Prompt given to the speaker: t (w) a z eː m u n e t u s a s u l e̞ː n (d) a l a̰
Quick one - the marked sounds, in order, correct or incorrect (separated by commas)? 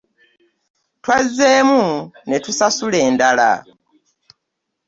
correct, correct